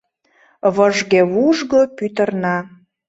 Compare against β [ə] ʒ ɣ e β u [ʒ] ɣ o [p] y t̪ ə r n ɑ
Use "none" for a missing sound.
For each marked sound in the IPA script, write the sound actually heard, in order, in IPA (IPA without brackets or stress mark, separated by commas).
ə, ʒ, p